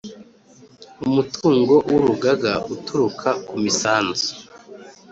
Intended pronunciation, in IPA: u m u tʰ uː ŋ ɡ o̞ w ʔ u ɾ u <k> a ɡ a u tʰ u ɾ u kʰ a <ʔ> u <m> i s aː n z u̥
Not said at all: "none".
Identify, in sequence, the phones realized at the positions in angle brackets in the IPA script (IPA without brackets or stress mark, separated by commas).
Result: ɡ, k, m